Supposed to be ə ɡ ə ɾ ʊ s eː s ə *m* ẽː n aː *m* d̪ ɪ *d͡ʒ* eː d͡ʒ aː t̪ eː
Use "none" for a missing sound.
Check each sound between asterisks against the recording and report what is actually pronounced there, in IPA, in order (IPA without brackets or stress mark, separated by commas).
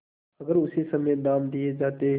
m, m, none